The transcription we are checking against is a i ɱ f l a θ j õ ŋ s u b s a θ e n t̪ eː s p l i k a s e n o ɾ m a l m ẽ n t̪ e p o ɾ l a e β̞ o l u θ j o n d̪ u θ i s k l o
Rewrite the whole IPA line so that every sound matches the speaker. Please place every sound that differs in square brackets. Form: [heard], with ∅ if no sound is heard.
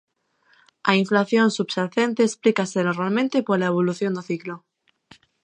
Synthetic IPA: a i ɱ f l a θ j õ [n] s u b s a θ e n t̪ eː s p l i k a s e n o ɾ m a l m ẽ n t̪ e p o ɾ l a e β̞ o l u θ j o n d̪ [o] θ i [∅] k l o